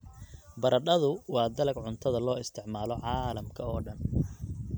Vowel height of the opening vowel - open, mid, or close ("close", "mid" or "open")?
open